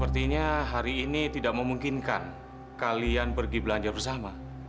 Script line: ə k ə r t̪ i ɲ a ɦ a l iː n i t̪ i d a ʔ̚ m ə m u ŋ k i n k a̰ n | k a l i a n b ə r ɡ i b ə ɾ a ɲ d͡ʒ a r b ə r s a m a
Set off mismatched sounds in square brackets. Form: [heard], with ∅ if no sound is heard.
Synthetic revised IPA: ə [p] ə r t̪ i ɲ a ɦ a [ɾ] iː n i t̪ i d a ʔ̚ m ə m u ŋ k i n k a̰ n | k a l i a n [p] ə r ɡ i b ə [l] a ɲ d͡ʒ a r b ə r s a m a